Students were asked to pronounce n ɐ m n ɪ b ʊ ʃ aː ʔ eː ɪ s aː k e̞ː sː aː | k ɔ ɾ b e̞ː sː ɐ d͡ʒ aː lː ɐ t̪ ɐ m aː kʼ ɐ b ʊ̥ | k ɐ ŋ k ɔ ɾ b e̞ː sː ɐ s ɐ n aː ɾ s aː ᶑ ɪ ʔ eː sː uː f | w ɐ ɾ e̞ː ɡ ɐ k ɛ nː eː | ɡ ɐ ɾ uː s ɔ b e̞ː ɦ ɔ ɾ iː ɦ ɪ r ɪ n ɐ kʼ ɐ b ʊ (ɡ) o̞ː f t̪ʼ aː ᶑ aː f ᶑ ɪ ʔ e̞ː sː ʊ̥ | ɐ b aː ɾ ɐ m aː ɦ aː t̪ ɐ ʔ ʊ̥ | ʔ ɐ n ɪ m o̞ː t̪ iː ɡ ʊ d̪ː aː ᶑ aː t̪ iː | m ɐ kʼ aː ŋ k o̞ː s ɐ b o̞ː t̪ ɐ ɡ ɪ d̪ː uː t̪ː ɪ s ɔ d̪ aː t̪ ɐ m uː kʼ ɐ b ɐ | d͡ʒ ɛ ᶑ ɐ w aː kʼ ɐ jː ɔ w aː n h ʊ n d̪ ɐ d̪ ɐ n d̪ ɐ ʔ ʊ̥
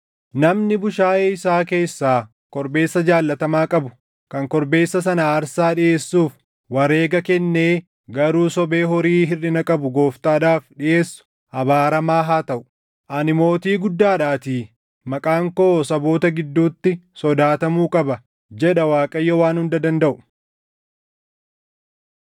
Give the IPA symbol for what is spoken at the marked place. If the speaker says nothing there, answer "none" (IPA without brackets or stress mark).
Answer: ɡ